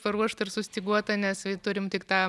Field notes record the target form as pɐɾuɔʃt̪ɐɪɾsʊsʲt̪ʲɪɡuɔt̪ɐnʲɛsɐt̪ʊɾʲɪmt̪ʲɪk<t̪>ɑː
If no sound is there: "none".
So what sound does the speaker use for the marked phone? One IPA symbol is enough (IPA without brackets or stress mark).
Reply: t̪